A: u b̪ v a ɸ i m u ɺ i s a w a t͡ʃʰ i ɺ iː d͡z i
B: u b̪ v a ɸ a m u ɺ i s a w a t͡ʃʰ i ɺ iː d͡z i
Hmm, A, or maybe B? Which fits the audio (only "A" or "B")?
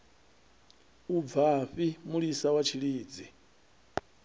A